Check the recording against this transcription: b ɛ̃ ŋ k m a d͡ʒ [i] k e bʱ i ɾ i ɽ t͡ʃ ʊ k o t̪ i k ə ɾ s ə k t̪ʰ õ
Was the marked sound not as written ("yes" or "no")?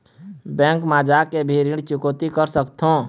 yes